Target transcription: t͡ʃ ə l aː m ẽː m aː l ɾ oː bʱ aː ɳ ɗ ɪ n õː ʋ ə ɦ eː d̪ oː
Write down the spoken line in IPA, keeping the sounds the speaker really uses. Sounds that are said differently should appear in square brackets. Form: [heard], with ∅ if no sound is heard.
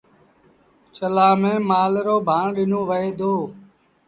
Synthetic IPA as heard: t͡ʃ ə l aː m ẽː m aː l ɾ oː bʱ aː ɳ ɗ ɪ n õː ʋ ə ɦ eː d̪ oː